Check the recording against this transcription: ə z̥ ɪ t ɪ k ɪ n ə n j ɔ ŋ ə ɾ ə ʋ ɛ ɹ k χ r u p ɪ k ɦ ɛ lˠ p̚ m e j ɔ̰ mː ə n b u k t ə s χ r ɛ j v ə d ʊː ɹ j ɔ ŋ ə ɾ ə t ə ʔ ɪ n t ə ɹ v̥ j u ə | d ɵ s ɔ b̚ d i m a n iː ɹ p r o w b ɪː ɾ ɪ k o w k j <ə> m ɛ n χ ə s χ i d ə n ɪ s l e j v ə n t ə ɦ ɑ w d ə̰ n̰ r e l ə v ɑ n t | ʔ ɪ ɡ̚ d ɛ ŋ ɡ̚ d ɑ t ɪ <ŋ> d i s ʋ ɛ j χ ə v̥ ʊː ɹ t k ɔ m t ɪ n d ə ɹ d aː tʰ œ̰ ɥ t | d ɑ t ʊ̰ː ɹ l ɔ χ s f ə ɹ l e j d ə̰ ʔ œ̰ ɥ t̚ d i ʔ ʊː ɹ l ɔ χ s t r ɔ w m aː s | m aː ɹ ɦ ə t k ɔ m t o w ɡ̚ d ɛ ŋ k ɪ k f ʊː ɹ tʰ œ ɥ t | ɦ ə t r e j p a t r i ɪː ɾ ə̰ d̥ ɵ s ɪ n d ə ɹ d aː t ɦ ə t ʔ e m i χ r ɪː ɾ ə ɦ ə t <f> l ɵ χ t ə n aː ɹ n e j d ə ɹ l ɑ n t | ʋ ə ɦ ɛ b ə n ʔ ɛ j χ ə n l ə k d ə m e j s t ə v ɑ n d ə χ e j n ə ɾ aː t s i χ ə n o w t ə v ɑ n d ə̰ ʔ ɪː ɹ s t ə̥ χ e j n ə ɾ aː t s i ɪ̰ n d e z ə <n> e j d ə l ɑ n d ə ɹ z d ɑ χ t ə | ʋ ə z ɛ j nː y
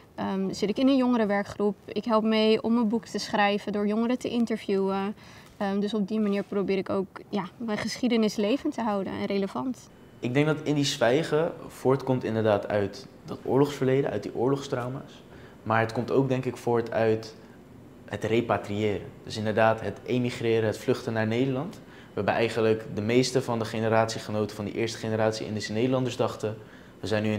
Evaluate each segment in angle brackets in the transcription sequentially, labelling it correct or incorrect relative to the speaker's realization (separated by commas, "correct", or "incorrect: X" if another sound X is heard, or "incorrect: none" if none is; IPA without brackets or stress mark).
incorrect: a, incorrect: n, correct, correct